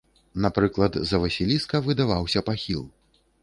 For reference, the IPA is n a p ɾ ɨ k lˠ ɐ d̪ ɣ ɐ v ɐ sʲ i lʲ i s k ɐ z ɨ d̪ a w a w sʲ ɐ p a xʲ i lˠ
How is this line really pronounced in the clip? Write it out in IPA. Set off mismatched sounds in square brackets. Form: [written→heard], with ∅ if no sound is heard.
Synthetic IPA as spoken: n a p ɾ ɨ k lˠ ɐ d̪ [ɣ→z] ɐ v ɐ sʲ i lʲ i s k ɐ [z→v] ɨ d̪ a [w→v] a w sʲ ɐ p a xʲ i lˠ